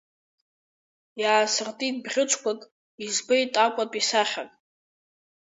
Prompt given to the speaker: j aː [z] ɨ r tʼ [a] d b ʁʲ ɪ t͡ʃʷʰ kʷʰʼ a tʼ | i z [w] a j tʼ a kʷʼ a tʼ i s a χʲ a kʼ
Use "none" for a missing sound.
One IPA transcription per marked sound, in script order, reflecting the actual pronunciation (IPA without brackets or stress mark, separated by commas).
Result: s, i, b